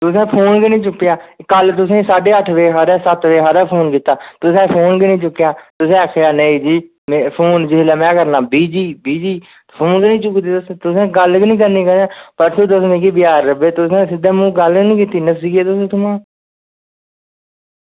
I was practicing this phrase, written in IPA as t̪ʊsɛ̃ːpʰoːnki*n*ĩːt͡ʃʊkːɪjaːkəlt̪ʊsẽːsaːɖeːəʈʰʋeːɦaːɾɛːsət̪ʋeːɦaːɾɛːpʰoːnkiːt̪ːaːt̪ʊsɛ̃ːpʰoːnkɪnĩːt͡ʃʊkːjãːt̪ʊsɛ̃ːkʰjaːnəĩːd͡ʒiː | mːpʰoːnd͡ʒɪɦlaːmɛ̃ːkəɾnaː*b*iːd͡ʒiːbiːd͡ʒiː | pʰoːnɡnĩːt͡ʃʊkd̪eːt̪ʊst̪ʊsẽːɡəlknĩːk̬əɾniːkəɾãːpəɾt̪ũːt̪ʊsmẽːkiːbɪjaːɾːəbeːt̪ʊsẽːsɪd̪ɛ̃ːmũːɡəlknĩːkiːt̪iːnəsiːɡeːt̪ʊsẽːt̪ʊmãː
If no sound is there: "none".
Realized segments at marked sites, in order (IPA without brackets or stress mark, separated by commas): n, b